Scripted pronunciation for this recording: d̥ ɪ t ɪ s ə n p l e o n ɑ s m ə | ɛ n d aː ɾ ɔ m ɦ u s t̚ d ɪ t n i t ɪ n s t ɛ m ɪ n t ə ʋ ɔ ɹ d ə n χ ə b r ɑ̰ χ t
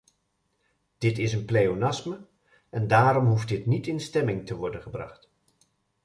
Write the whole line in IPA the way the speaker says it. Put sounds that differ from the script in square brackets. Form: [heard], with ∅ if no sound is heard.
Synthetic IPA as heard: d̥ ɪ t ɪ s ə n p l e o n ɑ s m ə | ɛ n d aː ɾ ɔ m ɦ u [f] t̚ d ɪ t n i t ɪ n s t ɛ m ɪ [ŋ] t ə ʋ ɔ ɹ d ə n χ ə b r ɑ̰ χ t